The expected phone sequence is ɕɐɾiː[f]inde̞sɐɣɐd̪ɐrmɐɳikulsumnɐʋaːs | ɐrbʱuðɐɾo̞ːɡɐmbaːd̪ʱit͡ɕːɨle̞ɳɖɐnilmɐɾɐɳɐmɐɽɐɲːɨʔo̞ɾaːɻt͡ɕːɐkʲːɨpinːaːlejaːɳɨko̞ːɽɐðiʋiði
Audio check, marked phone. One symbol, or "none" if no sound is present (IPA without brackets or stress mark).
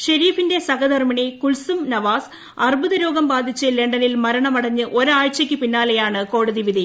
f